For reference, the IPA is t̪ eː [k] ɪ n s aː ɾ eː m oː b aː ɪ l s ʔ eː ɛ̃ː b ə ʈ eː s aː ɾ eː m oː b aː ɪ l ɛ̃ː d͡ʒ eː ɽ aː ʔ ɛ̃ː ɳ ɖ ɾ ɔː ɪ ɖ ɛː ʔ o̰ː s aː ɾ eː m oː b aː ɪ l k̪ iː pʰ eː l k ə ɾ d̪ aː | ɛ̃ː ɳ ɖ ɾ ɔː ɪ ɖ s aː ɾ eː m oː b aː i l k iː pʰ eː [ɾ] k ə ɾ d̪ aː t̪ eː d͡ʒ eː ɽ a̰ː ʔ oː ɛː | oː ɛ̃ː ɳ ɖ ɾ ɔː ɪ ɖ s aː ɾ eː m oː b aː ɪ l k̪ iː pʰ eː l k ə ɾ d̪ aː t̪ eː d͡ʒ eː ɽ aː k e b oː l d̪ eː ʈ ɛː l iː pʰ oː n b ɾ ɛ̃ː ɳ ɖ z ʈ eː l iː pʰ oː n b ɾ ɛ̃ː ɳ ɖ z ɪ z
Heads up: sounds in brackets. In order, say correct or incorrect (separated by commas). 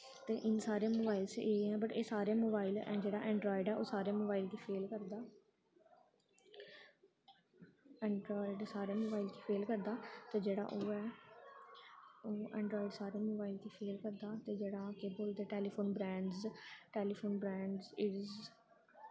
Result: incorrect, incorrect